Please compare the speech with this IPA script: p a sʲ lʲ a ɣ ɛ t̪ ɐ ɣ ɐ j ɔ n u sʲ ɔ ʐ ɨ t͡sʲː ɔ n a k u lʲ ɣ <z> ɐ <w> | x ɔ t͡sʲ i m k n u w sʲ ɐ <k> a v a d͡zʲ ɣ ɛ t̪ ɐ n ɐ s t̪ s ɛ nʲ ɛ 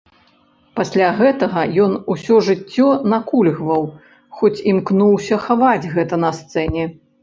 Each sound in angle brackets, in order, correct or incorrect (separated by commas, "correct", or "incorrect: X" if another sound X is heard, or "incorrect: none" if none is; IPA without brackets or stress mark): incorrect: v, correct, incorrect: x